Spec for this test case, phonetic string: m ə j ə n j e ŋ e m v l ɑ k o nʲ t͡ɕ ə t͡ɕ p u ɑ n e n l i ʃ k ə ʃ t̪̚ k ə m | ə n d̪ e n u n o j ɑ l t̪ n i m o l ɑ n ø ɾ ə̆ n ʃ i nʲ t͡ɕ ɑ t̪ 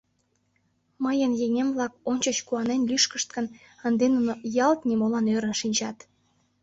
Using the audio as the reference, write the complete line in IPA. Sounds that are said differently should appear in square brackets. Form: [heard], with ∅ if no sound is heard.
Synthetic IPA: m ə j ə n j e ŋ e m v l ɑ k o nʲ t͡ɕ ə t͡ɕ [k] u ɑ n e n l [y] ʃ k ə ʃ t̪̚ k ə [n] | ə n d̪ e n u n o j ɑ l t̪ n i m o l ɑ n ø ɾ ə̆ n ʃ i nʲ t͡ɕ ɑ t̪